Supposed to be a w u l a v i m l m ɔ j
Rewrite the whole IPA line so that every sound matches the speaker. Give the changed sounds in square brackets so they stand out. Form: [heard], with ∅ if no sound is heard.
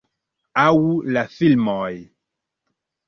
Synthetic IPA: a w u l a [f] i [∅] l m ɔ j